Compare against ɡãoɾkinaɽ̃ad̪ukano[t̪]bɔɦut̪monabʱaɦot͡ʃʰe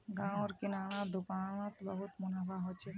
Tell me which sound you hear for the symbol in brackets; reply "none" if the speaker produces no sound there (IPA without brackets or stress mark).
t̪